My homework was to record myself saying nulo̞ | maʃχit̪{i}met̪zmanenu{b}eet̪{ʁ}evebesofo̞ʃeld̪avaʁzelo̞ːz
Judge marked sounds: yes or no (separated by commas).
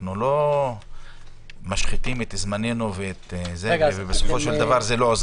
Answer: yes, no, no